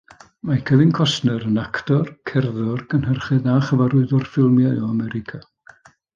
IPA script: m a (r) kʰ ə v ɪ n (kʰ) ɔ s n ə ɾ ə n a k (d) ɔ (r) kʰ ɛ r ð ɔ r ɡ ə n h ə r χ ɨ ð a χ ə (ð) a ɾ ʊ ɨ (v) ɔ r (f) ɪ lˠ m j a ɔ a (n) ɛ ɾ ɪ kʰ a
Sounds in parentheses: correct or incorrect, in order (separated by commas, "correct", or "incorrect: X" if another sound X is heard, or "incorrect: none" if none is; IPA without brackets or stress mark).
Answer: incorrect: none, correct, incorrect: t, correct, incorrect: v, incorrect: ð, correct, incorrect: m